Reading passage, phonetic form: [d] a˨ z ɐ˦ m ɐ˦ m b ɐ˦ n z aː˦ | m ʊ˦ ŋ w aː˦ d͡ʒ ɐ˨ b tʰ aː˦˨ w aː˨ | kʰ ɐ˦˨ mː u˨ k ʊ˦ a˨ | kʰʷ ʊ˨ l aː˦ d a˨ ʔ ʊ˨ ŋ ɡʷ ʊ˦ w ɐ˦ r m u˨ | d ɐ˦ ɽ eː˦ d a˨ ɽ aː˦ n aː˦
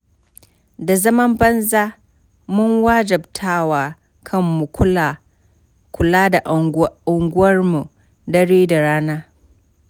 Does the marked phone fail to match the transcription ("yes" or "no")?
no